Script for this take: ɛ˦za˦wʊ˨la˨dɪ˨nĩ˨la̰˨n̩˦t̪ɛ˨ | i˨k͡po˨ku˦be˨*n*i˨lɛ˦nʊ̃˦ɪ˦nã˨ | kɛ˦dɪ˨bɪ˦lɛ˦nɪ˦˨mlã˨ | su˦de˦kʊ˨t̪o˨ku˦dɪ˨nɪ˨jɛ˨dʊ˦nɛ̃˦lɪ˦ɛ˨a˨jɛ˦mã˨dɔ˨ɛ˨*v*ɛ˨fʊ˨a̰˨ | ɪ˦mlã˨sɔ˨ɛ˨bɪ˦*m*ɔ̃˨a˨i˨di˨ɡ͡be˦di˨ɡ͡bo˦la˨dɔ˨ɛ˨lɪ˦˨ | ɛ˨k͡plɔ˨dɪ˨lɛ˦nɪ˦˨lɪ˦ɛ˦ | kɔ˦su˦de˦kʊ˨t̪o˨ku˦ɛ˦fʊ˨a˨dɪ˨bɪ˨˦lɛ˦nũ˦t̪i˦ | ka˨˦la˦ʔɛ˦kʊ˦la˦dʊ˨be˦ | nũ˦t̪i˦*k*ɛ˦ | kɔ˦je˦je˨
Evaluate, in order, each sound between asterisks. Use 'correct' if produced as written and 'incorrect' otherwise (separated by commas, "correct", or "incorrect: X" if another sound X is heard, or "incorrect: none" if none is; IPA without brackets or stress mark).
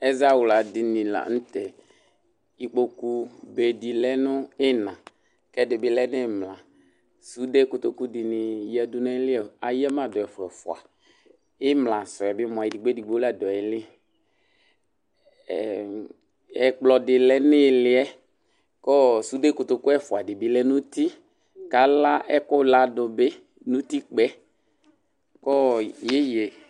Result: incorrect: d, incorrect: f, correct, incorrect: k͡p